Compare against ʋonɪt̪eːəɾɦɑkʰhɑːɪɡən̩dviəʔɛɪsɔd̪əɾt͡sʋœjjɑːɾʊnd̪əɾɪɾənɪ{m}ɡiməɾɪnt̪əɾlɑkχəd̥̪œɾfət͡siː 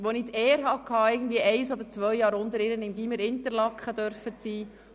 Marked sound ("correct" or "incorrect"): correct